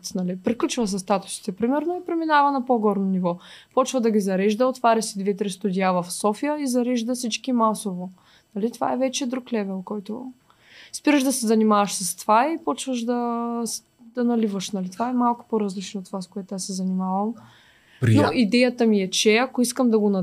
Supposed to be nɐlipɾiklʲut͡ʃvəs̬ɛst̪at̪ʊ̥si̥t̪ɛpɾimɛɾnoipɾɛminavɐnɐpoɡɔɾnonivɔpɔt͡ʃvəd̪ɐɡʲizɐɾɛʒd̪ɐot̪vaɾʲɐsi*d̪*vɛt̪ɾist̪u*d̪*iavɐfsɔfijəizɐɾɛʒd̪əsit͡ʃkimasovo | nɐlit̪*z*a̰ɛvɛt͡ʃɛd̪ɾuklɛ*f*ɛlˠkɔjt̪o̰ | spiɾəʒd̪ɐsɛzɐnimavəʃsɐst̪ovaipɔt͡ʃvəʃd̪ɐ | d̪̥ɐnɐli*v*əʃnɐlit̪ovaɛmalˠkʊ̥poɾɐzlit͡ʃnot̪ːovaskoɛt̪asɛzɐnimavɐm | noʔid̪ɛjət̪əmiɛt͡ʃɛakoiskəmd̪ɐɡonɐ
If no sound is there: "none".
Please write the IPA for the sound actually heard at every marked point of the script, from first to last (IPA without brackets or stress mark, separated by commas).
d̪, d̪, v, v, v